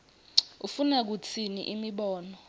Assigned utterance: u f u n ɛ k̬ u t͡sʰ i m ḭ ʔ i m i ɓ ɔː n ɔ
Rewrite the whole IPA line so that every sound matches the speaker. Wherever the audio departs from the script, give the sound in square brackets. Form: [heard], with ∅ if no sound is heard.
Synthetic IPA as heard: u f u n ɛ k̬ u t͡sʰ i [n] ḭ ʔ i m i ɓ ɔː n ɔ